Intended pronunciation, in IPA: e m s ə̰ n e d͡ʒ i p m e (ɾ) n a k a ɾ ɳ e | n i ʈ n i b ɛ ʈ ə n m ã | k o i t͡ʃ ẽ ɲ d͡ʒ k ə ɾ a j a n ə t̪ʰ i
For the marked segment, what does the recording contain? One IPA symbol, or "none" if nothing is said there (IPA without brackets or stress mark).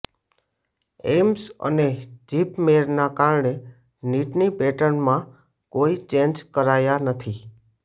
ɾ